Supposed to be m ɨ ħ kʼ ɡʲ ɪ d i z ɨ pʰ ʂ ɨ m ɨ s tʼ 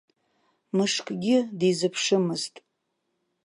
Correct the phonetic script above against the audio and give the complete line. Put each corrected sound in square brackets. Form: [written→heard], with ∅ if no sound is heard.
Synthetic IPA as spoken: m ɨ [ħ→ʂ] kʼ ɡʲ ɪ d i z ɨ pʰ ʂ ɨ m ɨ [s→z] tʼ